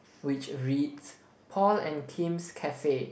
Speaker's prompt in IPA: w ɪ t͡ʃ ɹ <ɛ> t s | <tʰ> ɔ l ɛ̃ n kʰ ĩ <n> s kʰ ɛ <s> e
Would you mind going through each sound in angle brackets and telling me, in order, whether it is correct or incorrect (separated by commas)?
incorrect, incorrect, incorrect, incorrect